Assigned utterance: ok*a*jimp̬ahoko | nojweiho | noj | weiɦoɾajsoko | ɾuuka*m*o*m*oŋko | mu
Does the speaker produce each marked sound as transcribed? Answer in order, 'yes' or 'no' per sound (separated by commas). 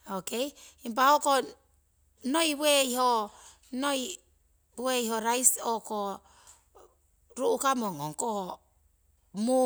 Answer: no, yes, no